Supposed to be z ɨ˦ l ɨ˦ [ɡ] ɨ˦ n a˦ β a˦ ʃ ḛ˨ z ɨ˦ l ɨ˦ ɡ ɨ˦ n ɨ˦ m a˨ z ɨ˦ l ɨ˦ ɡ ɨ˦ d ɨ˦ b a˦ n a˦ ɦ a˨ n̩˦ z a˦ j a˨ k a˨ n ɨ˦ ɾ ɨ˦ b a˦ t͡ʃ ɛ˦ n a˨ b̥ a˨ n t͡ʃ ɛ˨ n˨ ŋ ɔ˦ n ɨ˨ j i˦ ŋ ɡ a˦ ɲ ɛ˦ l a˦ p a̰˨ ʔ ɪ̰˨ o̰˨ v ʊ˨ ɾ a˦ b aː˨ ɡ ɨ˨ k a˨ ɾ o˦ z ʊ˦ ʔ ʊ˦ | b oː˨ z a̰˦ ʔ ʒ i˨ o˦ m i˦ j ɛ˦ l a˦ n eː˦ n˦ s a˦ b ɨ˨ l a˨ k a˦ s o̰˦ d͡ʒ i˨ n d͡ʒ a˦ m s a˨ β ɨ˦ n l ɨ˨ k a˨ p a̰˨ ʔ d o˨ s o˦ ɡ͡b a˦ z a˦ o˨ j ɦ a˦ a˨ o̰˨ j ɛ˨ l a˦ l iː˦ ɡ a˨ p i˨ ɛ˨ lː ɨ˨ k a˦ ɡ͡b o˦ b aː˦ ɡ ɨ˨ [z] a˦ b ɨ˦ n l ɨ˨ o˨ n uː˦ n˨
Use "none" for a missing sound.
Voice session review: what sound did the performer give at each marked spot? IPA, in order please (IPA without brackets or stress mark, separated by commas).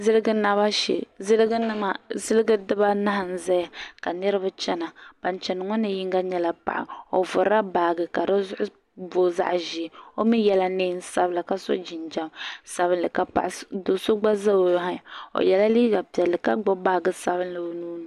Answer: ɡ, s